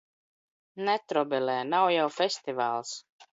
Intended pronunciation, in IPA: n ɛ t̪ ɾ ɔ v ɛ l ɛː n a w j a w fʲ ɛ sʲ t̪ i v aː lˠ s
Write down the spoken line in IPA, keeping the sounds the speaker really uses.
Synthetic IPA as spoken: n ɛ t̪ ɾ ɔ b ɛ l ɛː n a w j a w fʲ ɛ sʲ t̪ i v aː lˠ s